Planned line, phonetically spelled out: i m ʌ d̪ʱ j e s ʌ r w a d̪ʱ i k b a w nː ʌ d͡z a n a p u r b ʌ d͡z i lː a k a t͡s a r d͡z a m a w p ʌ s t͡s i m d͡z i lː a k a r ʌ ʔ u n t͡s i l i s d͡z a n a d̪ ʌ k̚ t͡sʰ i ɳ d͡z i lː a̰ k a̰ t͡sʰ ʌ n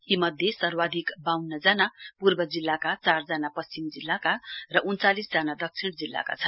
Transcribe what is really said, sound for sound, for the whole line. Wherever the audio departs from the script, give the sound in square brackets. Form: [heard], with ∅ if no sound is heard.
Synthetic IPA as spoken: i m ʌ d̪ʱ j e s ʌ r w a d̪ʱ i k b a w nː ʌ d͡z a n a p u r b ʌ d͡z i lː a k a t͡s a r d͡z a [n] a [∅] p ʌ s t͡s i m d͡z i lː a k a r ʌ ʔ u n t͡s [a] l i s d͡z a n a d̪ ʌ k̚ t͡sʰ i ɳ d͡z i lː a̰ k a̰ t͡sʰ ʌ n